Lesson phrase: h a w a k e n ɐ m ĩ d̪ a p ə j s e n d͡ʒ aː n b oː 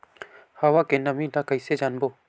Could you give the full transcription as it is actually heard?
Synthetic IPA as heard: h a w a k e n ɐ m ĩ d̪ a k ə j s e d͡ʒ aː n b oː